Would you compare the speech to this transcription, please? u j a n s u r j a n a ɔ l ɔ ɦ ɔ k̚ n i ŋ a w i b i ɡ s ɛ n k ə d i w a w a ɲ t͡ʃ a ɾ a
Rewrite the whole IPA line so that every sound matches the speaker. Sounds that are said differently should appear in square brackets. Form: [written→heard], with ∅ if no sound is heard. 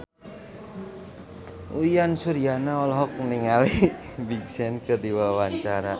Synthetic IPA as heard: u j a n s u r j a n a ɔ l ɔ ɦ ɔ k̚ n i ŋ a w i b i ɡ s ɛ n k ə d i w a w a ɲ t͡ʃ a ɾ a